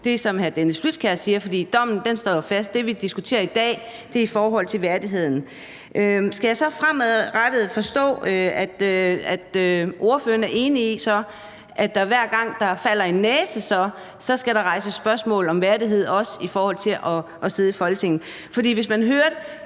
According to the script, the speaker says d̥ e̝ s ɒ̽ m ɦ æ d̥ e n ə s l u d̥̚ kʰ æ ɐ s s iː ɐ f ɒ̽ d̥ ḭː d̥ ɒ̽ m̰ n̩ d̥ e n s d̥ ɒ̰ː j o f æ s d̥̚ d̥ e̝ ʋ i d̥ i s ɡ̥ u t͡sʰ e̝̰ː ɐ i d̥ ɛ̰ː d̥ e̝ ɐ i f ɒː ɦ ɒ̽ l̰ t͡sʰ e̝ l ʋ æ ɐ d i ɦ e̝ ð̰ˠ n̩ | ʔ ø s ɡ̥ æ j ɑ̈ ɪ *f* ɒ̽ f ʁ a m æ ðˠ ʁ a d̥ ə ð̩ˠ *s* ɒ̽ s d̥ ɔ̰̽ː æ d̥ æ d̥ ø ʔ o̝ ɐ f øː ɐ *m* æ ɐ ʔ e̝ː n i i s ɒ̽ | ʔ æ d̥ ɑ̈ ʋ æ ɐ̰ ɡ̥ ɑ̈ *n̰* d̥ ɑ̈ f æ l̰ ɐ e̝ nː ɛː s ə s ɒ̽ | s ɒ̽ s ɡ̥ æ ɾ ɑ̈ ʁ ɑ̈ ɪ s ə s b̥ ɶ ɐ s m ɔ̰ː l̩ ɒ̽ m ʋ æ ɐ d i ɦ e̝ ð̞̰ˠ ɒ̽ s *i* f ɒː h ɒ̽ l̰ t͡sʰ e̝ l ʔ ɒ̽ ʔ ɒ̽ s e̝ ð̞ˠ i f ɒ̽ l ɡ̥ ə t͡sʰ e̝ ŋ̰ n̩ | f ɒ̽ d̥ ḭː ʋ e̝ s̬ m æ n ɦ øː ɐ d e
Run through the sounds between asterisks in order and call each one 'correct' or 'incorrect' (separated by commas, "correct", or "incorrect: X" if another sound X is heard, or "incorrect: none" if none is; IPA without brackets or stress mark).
incorrect: s, incorrect: f, incorrect: n, incorrect: ŋ̰, correct